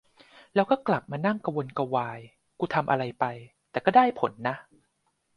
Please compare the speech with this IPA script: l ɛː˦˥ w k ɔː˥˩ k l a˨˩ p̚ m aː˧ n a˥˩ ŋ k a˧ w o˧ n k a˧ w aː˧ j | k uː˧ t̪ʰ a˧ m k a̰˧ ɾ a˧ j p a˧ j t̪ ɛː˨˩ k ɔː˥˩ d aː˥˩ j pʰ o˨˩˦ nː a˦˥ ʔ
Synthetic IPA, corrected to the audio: l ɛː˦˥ w k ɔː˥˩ k l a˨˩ p̚ m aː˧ n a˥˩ ŋ k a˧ w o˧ n k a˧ w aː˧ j | k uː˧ t̪ʰ a˧ m ʔ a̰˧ ɾ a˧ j p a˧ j t̪ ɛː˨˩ k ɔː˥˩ d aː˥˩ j pʰ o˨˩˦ nː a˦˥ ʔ